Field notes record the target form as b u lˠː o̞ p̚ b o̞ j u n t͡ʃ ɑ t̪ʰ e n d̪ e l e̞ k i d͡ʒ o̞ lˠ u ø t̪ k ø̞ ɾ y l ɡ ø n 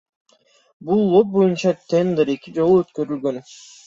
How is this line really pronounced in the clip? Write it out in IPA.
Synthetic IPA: b u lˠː o̞ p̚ b o̞ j u n t͡ʃ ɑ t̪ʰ e n d̪ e ɾ e̞ k i d͡ʒ o̞ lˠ u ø t̪ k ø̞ ɾ y l ɡ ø n